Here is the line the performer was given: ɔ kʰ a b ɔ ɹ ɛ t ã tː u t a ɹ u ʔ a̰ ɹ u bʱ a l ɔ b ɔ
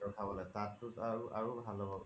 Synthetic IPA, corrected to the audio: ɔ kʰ a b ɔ l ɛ t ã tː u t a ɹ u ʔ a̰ ɹ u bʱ a l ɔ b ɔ